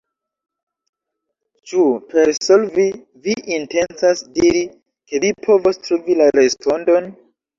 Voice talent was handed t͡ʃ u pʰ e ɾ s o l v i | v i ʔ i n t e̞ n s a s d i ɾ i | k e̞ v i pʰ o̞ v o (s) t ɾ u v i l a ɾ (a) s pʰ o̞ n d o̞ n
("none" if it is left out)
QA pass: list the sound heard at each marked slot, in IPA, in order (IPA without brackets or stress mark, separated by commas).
s, e